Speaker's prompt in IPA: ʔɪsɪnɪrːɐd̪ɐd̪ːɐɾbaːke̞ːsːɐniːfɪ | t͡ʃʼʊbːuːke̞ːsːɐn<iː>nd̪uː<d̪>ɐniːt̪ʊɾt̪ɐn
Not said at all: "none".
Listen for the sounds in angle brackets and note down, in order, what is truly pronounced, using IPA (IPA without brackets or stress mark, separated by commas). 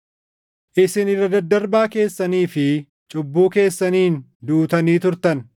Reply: iː, t̪